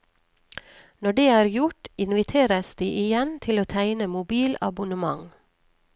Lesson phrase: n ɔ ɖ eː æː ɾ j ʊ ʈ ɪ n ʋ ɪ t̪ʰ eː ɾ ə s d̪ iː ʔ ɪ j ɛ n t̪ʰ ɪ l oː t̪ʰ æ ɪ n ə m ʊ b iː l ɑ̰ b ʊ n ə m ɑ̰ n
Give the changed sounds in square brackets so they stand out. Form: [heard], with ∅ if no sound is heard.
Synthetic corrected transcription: n ɔ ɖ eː æː ɾ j ʊ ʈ ɪ n ʋ ɪ t̪ʰ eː ɾ ə s d̪ iː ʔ ɪ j ɛ n t̪ʰ ɪ l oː t̪ʰ æ ɪ n ə m ʊ b iː l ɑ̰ b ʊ n ə m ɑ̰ [ŋ]